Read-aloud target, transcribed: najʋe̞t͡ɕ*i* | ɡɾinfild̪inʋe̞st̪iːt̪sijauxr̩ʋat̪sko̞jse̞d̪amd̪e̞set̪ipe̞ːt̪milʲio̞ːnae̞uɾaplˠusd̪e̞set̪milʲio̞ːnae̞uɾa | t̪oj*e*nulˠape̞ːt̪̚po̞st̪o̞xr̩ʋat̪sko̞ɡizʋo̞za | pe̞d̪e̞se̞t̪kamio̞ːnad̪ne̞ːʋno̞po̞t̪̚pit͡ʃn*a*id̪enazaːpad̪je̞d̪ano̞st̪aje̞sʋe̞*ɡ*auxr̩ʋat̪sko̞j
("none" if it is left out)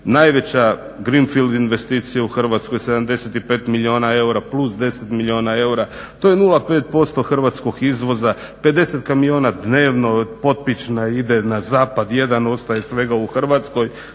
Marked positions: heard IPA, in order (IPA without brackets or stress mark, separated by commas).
a, e, a, ɡ